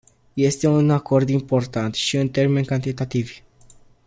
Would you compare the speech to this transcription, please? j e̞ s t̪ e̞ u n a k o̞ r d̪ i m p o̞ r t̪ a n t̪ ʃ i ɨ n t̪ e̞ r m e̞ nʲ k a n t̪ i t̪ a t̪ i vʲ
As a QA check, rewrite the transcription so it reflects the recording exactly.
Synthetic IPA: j e̞ s t̪ e̞ u n a k o̞ r d̪ i m p o̞ r t̪ a n t̪ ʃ i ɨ n t̪ e̞ r m e̞ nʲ k a n t̪ i t̪ a t̪ i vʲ